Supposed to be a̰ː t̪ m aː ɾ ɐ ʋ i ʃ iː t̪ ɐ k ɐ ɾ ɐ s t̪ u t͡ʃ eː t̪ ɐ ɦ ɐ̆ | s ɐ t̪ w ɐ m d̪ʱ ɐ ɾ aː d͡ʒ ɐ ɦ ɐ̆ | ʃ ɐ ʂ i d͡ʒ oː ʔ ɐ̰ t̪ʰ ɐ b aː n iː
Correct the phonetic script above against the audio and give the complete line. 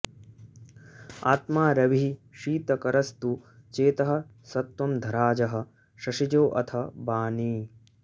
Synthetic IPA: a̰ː t̪ m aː ɾ ɐ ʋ i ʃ iː t̪ ɐ k ɐ ɾ ɐ s t̪ u t͡ʃ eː t̪ ɐ ɦ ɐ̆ | s ɐ t̪ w ɐ m d̪ʱ ɐ ɾ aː d͡ʒ ɐ ɦ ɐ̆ | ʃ ɐ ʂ i d͡ʒ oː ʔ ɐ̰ t̪ʰ ɐ b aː n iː

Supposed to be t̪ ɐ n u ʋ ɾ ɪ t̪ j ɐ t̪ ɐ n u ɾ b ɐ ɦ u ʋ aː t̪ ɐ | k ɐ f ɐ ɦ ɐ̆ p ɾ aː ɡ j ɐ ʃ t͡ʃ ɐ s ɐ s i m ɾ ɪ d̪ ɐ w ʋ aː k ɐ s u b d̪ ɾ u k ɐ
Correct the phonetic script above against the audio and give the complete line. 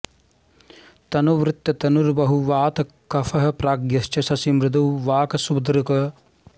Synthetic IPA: t̪ ɐ n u ʋ ɾ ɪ t̪ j ɐ t̪ ɐ n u ɾ b ɐ ɦ u ʋ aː t̪ ɐ | k ɐ f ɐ ɦ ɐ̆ p ɾ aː ɡ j ɐ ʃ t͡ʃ ɐ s ɐ s i m ɾ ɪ d̪ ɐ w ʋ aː k ɐ s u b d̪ ɾ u k ɐ

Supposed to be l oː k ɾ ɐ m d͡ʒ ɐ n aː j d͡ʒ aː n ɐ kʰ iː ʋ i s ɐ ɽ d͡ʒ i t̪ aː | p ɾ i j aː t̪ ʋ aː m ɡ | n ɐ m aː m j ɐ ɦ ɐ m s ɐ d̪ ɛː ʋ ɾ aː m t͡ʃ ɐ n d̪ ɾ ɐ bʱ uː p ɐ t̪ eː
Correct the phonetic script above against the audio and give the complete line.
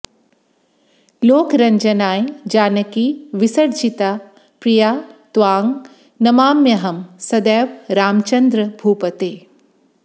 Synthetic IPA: l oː k ɾ ɐ ɲ d͡ʒ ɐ n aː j d͡ʒ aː n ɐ k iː ʋ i s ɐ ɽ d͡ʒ i t̪ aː | p ɾ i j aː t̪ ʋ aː ŋ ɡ | n ɐ m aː m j ɐ ɦ ɐ m s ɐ d̪ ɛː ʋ ɾ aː m t͡ʃ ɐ n d̪ ɾ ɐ bʱ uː p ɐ t̪ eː

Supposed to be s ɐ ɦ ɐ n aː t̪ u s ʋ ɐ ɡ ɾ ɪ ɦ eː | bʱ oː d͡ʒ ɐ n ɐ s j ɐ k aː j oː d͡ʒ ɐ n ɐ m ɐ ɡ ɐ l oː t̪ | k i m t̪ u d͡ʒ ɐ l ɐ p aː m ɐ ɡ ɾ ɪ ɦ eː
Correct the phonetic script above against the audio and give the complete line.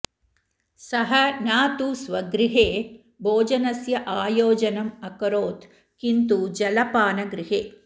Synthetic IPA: s ɐ ɦ ɐ n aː t̪ u s ʋ ɐ ɡ ɾ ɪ ɦ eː | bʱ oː d͡ʒ ɐ n ɐ s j ɐ ʔ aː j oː d͡ʒ ɐ n ɐ m ɐ k ɐ ɾ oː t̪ | k i n t̪ u d͡ʒ ɐ l ɐ p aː n ɐ ɡ ɾ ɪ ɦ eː

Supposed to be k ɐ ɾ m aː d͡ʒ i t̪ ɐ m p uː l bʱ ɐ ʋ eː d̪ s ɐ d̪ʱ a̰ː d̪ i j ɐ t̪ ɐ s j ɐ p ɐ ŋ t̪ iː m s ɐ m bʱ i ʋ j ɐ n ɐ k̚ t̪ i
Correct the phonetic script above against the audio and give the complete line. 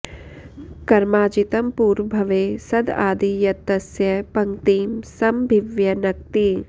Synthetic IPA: k ɐ ɾ m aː d͡ʒ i t̪ ɐ m p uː ɾ bʱ ɐ ʋ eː s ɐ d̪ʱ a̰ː d̪ i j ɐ t̪ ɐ s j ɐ p ɐ ŋ t̪ iː m s ɐ m bʱ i ʋ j ɐ n ɐ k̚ t̪ i

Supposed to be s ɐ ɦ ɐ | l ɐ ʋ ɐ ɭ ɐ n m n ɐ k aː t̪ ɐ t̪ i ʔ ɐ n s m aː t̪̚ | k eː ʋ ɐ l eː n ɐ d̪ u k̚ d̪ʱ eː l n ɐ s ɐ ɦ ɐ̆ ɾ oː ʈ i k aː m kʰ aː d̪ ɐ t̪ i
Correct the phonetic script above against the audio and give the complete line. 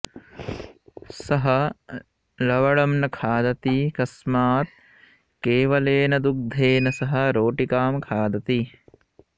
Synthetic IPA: s ɐ ɦ ɐ | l ɐ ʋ ɐ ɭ ɐ m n ɐ kʰ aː d̪ ɐ t̪ i k ɐ s m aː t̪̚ | k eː ʋ ɐ l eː n ɐ d̪ u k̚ d̪ʱ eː n ɐ s ɐ ɦ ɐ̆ ɾ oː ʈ i k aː m kʰ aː d̪ ɐ t̪ i

